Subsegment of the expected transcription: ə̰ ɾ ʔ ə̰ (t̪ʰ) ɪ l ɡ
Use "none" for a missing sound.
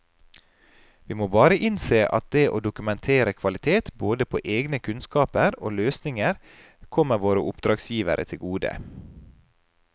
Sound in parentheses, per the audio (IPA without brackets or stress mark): t̪ʰ